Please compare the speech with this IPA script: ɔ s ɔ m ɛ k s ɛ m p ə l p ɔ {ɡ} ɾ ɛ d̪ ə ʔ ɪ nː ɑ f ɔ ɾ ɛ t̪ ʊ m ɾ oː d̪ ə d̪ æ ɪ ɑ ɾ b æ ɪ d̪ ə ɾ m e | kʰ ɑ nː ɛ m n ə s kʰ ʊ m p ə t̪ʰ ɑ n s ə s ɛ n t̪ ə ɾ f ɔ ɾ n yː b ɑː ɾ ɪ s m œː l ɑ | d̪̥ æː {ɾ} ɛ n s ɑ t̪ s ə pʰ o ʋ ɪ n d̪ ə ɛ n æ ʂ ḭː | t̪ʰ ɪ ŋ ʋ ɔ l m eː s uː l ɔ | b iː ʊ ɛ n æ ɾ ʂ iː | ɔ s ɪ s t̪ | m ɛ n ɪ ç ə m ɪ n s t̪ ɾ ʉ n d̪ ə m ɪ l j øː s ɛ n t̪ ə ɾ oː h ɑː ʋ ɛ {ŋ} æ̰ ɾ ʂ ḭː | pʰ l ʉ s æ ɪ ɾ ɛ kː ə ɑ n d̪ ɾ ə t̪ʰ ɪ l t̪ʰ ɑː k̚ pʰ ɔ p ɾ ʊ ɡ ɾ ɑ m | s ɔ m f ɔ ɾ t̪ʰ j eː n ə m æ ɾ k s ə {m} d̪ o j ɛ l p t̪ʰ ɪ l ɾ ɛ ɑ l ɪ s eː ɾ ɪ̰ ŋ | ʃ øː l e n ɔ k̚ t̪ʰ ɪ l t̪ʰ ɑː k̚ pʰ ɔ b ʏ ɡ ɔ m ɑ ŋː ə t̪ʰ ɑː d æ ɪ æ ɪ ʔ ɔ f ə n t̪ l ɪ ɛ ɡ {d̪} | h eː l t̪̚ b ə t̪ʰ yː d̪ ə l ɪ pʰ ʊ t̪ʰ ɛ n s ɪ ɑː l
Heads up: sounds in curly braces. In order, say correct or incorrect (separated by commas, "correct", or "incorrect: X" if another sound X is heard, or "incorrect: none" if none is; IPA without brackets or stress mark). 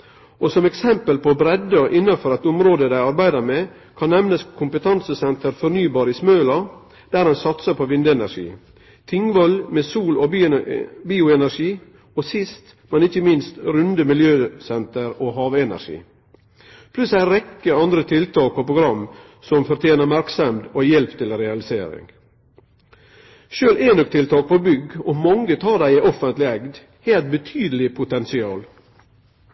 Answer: incorrect: b, correct, incorrect: n, correct, correct